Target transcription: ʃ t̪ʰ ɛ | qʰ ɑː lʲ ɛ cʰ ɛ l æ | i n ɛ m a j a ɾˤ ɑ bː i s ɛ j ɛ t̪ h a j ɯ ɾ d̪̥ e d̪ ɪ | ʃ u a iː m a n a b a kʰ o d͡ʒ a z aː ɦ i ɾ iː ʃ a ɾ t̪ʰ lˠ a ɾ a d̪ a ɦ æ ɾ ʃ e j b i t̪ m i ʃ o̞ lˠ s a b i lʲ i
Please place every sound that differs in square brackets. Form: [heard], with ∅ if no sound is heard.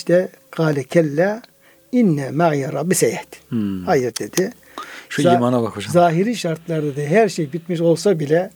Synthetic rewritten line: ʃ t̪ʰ ɛ | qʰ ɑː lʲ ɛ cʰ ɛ [lː] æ | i [nː] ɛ m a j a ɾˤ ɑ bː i s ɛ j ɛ t̪ h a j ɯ ɾ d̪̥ e d̪ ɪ | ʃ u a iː m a n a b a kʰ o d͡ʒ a z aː ɦ i ɾ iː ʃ a ɾ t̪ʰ lˠ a ɾ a d̪ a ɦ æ ɾ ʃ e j b i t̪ m i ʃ o̞ lˠ s a b i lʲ [ɛ]